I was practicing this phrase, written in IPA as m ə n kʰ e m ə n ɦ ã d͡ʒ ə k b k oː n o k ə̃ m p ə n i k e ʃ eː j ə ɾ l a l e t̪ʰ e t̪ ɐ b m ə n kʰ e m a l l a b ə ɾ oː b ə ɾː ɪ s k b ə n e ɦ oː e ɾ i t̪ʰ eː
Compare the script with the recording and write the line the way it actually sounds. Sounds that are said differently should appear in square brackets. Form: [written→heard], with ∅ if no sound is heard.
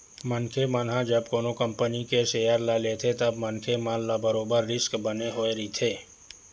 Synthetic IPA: m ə n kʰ e m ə n ɦ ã d͡ʒ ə [k→∅] b k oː n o k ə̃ m p ə n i k e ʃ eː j ə ɾ l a l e t̪ʰ e t̪ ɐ b m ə n kʰ e m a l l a b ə ɾ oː b ə ɾː ɪ s k b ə n e ɦ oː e ɾ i t̪ʰ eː